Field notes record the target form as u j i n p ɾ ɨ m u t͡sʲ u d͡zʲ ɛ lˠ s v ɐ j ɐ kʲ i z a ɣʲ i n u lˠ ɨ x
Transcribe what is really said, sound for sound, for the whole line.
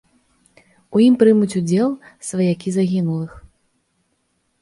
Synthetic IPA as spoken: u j i m p ɾ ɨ m u t͡sʲ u d͡zʲ ɛ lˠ s v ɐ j a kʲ i z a ɣʲ i n u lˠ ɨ x